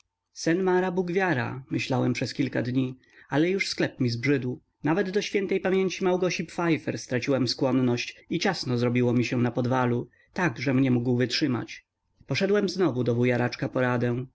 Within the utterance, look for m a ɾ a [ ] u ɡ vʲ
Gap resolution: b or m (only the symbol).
b